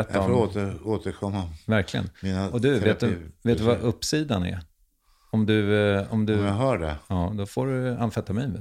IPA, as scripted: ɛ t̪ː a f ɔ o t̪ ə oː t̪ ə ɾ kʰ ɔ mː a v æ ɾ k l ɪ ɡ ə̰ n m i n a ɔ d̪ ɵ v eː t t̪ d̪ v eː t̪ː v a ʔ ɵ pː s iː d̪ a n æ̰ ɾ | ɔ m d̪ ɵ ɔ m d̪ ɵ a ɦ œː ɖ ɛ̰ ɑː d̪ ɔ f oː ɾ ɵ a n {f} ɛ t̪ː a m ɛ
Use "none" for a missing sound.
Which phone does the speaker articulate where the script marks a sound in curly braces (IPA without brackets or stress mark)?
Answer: f